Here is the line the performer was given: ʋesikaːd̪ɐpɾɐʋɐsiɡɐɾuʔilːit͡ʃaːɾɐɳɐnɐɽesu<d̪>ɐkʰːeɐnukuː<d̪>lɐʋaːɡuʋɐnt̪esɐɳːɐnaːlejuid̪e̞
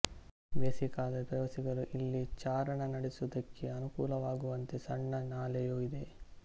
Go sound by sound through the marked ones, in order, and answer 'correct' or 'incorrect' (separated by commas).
correct, incorrect